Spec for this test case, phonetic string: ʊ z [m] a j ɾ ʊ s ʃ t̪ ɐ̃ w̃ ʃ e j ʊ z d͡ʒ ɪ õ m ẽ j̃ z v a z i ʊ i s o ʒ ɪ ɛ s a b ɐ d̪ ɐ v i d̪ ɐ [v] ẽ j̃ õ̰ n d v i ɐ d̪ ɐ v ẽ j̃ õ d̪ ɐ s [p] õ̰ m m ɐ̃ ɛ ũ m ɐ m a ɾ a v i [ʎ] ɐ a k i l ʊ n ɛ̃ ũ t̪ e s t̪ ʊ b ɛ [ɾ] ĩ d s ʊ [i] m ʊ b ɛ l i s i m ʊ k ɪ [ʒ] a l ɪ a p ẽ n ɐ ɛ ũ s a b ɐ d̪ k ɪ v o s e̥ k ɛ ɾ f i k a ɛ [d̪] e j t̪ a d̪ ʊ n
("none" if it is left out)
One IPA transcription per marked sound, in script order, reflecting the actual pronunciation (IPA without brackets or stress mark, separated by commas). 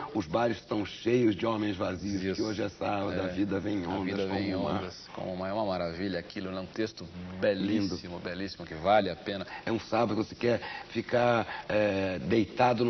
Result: b, v, k, ʎ, l, i, v, d̪